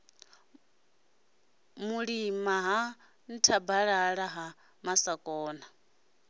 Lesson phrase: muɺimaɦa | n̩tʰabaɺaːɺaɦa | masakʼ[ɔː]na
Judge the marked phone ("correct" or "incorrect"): correct